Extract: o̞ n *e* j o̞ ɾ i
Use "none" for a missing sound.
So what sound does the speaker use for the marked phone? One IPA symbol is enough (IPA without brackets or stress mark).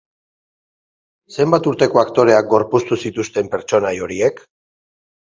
a